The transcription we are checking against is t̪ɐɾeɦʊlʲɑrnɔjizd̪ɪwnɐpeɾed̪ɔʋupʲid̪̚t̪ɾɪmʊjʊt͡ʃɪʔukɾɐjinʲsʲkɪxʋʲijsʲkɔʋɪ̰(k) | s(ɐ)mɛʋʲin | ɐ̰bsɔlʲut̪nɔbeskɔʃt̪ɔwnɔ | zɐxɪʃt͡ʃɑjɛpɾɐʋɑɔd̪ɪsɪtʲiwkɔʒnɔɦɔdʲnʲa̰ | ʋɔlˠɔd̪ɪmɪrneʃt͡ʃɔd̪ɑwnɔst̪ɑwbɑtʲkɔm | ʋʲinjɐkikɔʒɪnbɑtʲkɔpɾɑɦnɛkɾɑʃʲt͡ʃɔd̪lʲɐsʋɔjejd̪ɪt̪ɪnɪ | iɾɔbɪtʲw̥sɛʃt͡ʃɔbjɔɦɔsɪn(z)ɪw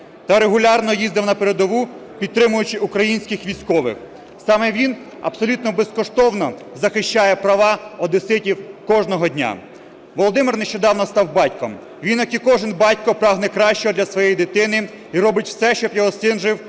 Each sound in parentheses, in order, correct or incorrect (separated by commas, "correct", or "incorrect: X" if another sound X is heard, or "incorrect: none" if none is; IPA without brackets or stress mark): incorrect: x, incorrect: ɑ, incorrect: ʒ